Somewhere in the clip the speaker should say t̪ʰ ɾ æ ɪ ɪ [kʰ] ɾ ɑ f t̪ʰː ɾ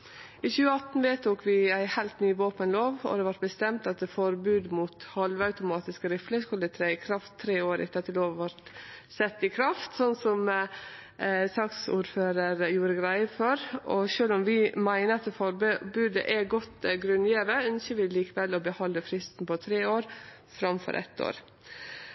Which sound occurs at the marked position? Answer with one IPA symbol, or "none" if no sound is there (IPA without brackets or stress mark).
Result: kʰ